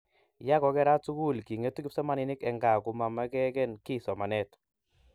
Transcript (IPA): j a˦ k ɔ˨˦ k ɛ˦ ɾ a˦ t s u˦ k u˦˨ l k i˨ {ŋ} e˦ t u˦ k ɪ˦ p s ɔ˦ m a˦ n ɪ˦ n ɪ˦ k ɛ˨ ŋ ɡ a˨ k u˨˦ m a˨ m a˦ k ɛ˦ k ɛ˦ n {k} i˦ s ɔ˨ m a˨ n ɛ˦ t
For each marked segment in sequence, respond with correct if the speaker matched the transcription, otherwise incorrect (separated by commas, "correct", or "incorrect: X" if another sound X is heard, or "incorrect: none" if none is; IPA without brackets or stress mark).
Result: correct, correct